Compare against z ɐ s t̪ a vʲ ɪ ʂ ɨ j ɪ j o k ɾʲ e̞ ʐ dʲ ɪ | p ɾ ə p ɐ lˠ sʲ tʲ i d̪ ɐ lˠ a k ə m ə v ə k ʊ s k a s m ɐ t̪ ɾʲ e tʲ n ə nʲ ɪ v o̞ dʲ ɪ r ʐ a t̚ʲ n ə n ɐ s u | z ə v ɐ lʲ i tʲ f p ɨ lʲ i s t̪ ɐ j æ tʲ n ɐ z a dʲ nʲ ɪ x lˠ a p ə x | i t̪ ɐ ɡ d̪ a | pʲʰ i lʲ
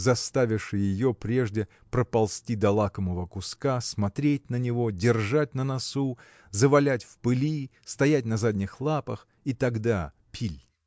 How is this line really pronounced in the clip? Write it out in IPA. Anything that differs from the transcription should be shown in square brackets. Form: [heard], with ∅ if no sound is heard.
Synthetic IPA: z ɐ s t̪ a vʲ ɪ ʂ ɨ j ɪ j o [p] ɾʲ e̞ ʐ dʲ ɪ | p ɾ ə p ɐ lˠ sʲ tʲ i d̪ ɐ lˠ a k ə m ə v ə k ʊ s k a s m ɐ t̪ ɾʲ e tʲ n ə nʲ ɪ v o̞ dʲ ɪ r ʐ a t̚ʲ n ə n ɐ s u | z ə v ɐ lʲ [æ] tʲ f p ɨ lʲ i s t̪ ɐ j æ tʲ n ɐ z a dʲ nʲ ɪ x lˠ a p ə x | i t̪ ɐ ɡ d̪ a | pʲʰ i lʲ